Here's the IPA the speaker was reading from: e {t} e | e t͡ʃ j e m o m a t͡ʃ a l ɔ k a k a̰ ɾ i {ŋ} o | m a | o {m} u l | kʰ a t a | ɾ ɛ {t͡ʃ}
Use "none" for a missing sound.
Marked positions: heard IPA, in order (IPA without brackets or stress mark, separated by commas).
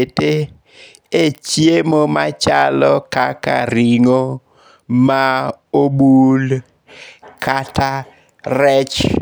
t, ŋ, b, t͡ʃ